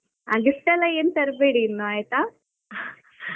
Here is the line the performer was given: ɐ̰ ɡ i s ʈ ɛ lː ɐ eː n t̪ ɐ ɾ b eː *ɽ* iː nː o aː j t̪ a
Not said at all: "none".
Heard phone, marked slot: ɽ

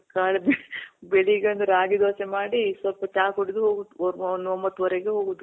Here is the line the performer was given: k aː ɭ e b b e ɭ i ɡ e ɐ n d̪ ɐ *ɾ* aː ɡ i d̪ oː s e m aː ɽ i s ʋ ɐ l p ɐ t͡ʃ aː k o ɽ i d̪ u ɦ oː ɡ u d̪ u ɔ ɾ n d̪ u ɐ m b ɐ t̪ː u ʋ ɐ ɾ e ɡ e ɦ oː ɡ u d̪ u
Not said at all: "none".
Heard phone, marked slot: ɾ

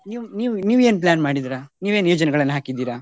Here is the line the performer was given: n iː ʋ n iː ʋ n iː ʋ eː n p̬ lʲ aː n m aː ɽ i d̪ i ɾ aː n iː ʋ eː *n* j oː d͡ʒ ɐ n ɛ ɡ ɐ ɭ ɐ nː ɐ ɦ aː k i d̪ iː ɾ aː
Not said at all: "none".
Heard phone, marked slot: n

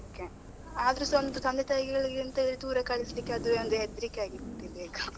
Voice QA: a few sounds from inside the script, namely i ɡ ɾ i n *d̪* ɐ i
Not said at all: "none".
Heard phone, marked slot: t̪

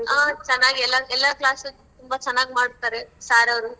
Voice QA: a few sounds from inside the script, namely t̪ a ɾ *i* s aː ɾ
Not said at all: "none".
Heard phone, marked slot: e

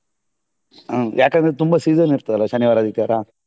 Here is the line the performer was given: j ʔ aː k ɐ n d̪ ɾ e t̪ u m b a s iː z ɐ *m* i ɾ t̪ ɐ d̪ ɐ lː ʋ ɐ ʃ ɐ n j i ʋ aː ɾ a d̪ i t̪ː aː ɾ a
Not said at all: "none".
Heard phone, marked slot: n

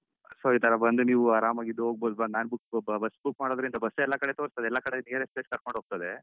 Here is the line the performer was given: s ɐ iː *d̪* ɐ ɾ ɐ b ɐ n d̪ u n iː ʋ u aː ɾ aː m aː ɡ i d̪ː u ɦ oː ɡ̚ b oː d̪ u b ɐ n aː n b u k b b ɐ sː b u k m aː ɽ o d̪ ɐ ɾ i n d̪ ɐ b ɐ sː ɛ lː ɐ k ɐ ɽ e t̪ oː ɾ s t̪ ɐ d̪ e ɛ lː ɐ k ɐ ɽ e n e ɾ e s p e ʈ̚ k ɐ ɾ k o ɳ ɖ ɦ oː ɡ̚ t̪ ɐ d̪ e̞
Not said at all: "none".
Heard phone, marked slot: t̪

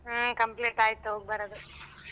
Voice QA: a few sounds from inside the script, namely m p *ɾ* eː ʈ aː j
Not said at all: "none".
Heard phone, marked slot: l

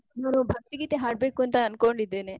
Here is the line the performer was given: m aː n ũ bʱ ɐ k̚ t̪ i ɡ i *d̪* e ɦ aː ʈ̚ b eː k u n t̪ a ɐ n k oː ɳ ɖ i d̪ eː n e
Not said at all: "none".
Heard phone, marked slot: t̪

